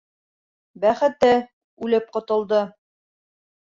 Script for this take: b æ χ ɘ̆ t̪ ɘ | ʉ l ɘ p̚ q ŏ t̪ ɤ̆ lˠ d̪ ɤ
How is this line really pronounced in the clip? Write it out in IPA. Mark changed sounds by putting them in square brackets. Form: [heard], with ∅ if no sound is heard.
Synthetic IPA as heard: b æ χ ɘ̆ t̪ ɘ | ʉ l ɘ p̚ q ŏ t̪ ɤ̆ lˠ d̪ ɤ